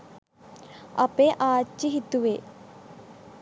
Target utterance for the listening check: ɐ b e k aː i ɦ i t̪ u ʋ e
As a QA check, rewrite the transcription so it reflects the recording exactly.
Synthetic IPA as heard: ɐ p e ʔ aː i ɦ i t̪ u ʋ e